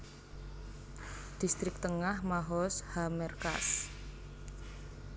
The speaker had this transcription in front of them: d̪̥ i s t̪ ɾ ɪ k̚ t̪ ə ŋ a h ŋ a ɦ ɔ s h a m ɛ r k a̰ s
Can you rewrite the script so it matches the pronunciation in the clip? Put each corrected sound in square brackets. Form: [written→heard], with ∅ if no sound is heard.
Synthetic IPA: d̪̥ i s t̪ ɾ ɪ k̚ t̪ ə ŋ a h [ŋ→m] a ɦ ɔ s h a m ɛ r k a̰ s